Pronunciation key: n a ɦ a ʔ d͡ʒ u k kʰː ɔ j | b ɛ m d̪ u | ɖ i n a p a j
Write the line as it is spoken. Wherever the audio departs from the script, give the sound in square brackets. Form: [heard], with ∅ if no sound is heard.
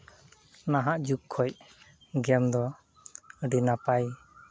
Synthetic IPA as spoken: n a ɦ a ʔ d͡ʒ u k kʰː ɔ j | [ɡ] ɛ m d̪ [ɔ] | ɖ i n a p a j